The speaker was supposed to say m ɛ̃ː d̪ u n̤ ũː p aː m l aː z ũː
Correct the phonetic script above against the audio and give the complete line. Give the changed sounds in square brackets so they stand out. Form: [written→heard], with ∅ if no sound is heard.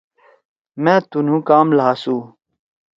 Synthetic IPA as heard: m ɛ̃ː [d̪→t̪] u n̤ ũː [p→k] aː m l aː [z→s] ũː